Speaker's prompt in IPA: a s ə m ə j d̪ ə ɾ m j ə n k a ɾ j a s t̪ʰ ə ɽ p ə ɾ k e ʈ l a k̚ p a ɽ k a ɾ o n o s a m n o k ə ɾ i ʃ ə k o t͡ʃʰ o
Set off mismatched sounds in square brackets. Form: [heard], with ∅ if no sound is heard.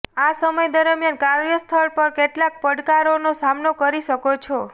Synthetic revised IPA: a s ə m ə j d̪ ə ɾ m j [a] n k a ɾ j [ə] s t̪ʰ ə [ɭ] p ə ɾ k e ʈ l a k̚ p [ə] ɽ k a ɾ o n o s a m n o k ə ɾ i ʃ ə k o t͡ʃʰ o